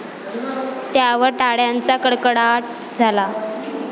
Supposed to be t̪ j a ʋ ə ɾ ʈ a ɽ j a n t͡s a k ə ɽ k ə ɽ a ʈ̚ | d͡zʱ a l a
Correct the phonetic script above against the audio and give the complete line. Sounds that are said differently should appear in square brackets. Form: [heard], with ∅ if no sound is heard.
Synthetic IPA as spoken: t̪ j a ʋ ə ɾ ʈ a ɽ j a n t͡s a k ə ɽ k ə ɽ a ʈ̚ | d͡zʱ a l a